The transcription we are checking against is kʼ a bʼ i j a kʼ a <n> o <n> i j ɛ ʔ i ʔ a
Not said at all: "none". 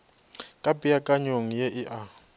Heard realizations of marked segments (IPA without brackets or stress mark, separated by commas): ɲ, ŋ